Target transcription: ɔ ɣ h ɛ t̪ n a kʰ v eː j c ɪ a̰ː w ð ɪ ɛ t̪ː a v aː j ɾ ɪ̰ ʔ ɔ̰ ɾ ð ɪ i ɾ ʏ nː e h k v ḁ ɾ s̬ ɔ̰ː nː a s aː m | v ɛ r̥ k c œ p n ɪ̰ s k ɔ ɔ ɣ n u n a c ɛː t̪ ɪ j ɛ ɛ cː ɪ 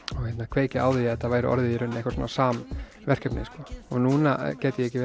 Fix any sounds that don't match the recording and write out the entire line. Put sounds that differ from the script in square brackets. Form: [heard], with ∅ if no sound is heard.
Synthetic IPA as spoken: ɔ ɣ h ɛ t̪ n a kʰ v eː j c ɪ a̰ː w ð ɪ ɛ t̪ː a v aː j ɾ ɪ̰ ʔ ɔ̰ ɾ ð ɪ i ɾ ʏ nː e h k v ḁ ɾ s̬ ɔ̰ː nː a s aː m | v ɛ r̥ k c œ p n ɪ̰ s k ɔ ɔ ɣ n u n a c ɛː t̪ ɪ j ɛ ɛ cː ɪ